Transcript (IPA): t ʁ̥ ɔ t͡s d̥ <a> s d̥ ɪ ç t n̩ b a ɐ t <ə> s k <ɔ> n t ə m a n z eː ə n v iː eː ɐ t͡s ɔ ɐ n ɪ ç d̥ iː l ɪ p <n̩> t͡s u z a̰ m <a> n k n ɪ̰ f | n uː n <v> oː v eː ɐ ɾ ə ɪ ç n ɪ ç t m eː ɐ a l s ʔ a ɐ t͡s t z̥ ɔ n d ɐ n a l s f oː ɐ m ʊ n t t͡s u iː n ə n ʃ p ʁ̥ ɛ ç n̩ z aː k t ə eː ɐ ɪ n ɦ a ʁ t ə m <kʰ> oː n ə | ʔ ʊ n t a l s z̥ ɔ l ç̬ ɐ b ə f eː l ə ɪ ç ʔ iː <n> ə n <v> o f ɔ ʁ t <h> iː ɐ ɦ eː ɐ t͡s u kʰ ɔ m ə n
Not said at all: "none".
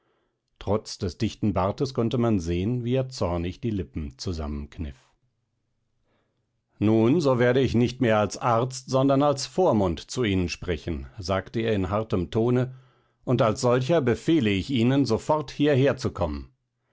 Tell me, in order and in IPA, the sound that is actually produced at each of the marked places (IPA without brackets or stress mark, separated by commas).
ɛ, ə, ɔ, m̩, ə, z, tʰ, n, z, h